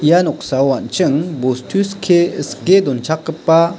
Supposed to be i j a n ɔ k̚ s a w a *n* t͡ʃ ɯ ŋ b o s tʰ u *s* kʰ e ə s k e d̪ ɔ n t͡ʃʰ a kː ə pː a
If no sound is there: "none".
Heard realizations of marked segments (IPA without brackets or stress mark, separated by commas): n, s